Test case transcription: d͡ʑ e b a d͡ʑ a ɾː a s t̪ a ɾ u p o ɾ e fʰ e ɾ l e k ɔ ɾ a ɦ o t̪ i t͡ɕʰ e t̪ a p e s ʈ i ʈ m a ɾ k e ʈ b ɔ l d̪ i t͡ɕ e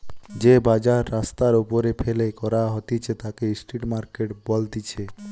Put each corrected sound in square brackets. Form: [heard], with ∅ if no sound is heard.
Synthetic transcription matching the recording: d͡ʑ e b a d͡ʑ a ɾː a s t̪ a ɾ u p o ɾ e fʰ e [∅] l e k ɔ ɾ a ɦ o t̪ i t͡ɕʰ e t̪ a [k] e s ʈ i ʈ m a ɾ k e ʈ b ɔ l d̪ i [t͡ɕʰ] e